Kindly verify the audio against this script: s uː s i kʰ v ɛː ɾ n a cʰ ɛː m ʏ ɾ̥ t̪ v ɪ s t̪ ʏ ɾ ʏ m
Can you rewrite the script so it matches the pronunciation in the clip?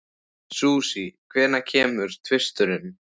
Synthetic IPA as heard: s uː s i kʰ v ɛː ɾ n a cʰ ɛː m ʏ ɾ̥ t̪ʰ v ɪ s t̪ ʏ ɾ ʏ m

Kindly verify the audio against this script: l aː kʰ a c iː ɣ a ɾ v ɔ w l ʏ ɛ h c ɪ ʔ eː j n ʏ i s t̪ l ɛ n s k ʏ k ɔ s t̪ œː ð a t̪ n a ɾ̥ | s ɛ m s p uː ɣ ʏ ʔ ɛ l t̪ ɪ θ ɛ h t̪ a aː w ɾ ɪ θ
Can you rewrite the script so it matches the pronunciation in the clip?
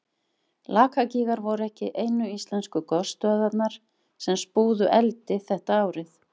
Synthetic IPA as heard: l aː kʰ a c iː ɣ a ɾ v ɔ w ɾ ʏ ɛ h c ɪ ʔ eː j n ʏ i s t̪ l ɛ n s k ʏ k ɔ s t̪ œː ð a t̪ n a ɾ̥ | s ɛ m s p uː ð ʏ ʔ ɛ l t̪ ɪ θ ɛ h t̪ a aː w ɾ ɪ θ

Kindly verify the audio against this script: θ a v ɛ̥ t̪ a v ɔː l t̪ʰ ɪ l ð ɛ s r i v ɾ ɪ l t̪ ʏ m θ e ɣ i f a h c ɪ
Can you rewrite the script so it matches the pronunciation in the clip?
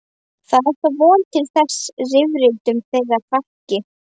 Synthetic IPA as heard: θ a ð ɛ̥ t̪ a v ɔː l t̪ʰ ɪ l θ ɛ s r ɪ v ɾ ɪ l t̪ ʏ m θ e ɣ a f a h c ɪ

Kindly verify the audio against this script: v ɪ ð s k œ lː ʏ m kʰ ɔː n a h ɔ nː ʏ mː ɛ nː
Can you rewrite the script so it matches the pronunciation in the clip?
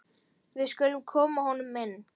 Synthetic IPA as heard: v ɪ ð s k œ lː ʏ m kʰ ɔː m a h ɔ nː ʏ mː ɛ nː

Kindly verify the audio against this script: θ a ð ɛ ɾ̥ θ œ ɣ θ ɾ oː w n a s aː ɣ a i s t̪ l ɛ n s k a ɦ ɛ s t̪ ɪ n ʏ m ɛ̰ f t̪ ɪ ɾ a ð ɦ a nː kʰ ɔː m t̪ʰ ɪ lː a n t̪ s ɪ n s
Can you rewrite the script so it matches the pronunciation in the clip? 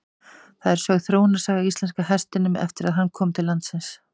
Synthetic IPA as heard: θ a ð ɛ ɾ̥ s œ ɣ θ ɾ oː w n a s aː ɣ a i s t̪ l ɛ n s k a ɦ ɛ s t̪ ɪ n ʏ m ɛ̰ f t̪ ɪ ɾ a ð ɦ a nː kʰ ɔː m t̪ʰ ɪ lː a n t̪ s ɪ n s

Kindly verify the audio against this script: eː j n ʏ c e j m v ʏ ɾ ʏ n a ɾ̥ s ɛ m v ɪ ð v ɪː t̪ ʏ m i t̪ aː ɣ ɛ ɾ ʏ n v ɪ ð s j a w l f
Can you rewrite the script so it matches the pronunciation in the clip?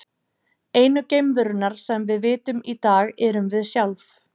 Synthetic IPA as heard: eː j n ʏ c e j m v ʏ ɾ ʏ n a ɾ̥ s ɛ m v ɪ ð v ɪː t̪ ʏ m i t̪ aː ɣ ɛ ɾ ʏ m v ɪ ð s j a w l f

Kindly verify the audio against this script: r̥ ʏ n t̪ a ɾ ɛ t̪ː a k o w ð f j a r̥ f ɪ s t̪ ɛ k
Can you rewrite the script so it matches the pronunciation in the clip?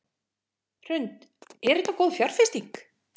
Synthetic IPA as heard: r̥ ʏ n t̪ ɛ ɾ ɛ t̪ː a k o w ð f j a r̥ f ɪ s t̪ i k

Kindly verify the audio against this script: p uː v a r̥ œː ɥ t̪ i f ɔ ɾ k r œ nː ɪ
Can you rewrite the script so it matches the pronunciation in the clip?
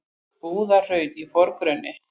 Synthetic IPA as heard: p uː ð a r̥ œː ɥ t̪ i f ɔ ɾ k ɾ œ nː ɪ

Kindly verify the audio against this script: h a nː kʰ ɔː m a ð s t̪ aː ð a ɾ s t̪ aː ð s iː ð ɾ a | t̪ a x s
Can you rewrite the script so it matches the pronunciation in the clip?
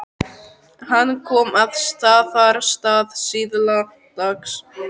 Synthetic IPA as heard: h a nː kʰ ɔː m a ð s t̪ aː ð a ɾ s t̪ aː ð s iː ð l a | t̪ a k s

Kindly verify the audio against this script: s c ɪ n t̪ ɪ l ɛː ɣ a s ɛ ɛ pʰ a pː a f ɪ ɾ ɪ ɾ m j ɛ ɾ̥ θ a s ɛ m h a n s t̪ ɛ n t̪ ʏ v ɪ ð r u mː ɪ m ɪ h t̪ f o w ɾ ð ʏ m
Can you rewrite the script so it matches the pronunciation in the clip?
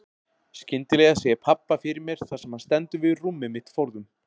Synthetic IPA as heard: s c ɪ n t̪ ɪ l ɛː ɣ a s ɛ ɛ pʰ a pː a f ɪ ɾ ɪ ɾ m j ɛ ɾ̥ θ a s ɛ m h a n s t̪ ɛ n t̪ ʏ v ɪ ð r u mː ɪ m ɪ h t̪ f o w ɾ ð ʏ m

